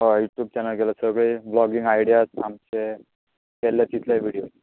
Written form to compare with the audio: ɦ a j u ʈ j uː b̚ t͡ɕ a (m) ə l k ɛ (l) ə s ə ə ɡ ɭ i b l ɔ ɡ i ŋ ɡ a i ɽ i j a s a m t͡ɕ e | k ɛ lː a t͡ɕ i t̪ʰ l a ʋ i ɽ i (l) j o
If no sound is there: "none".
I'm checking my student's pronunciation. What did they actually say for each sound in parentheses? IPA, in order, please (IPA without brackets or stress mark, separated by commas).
n, l, none